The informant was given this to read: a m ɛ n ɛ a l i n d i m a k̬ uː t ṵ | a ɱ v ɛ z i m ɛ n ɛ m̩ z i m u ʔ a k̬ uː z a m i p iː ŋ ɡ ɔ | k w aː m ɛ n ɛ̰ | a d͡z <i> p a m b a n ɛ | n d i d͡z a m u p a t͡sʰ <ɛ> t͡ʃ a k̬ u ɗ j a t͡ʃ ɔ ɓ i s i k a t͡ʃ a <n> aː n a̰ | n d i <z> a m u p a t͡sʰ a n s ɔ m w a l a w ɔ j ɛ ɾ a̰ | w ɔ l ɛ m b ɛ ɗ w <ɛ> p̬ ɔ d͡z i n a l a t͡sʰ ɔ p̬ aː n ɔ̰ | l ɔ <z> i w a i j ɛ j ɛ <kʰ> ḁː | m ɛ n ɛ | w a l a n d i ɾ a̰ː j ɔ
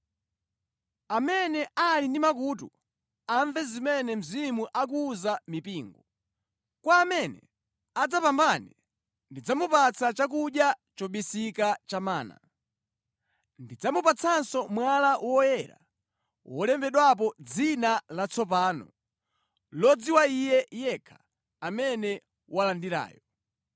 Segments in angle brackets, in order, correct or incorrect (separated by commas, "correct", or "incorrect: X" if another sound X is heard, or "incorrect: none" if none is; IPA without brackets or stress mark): incorrect: a, incorrect: a, incorrect: m, incorrect: d͡z, incorrect: a, incorrect: d͡z, correct